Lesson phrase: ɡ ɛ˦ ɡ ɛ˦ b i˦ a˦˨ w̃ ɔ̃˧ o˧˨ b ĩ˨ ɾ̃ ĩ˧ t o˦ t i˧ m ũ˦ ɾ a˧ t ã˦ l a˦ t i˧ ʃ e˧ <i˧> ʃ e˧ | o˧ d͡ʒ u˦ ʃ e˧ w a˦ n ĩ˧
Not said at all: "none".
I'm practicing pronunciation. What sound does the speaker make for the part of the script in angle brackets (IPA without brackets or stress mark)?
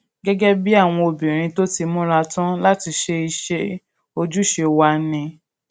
i˧